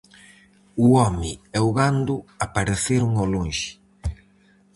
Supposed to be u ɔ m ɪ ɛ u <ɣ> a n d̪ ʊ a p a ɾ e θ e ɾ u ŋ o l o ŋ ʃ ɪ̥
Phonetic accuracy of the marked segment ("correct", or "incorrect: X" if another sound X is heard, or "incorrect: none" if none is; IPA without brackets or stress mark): correct